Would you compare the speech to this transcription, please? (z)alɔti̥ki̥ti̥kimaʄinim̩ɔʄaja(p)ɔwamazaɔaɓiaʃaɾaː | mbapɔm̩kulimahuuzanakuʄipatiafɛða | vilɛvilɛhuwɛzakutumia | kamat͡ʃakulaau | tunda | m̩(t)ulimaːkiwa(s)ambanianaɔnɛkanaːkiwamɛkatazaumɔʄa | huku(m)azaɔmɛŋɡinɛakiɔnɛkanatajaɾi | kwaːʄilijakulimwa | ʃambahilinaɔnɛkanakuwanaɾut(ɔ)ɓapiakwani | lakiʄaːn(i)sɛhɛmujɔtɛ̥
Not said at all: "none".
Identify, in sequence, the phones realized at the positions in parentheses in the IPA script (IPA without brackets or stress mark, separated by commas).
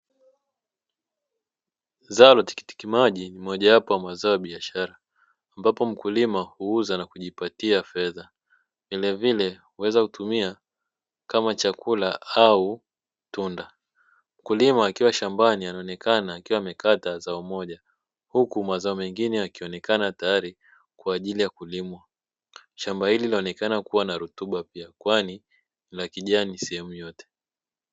z, p, k, ʃ, m, u, i